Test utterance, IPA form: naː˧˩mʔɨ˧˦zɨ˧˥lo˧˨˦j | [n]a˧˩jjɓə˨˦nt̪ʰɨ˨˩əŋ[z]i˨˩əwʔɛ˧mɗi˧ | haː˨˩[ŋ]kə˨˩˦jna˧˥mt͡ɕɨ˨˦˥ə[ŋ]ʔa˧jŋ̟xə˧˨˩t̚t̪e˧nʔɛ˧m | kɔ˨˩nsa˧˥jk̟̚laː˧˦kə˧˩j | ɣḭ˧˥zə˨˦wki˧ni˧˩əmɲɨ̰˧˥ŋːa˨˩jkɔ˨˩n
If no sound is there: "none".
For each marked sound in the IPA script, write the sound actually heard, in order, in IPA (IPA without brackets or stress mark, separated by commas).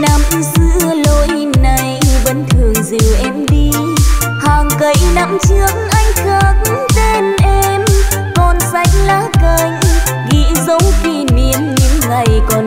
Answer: n, z, ŋ, ŋ